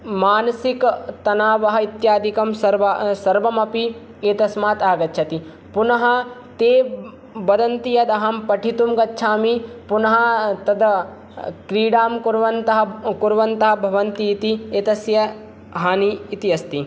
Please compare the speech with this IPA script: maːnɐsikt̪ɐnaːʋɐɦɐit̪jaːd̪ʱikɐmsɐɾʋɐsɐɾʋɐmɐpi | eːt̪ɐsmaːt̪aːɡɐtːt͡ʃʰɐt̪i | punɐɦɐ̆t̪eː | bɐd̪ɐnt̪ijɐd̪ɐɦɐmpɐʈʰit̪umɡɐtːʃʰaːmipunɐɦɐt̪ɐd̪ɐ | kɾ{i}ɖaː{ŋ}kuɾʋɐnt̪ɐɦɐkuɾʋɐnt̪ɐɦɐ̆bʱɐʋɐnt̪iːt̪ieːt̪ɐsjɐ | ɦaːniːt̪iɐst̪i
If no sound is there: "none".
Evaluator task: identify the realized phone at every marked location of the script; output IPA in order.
iː, m

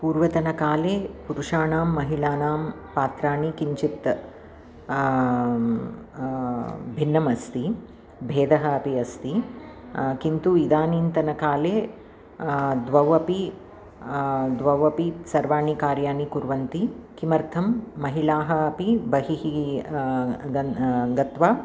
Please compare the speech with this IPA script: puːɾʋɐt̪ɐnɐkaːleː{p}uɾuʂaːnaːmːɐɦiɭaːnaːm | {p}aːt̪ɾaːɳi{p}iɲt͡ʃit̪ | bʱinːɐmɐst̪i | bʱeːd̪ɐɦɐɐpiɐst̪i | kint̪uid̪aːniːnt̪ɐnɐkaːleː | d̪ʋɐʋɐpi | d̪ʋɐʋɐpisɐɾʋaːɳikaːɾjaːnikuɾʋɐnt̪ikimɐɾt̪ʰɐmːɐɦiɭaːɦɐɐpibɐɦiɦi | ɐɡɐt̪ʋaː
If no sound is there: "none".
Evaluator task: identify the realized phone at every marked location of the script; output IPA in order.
p, p, k

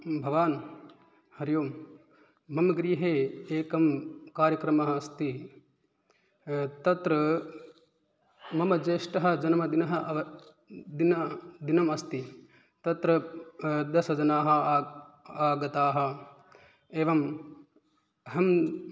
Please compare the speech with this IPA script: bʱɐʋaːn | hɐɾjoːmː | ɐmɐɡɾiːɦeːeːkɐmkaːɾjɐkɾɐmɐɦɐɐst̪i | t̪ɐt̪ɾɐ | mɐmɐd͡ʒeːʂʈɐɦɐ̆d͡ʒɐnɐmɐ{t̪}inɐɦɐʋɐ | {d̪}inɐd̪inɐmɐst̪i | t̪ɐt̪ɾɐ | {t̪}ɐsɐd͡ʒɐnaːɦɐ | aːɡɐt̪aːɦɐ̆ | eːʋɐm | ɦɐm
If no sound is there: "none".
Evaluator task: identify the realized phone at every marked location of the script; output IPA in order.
d̪, d̪, d̪

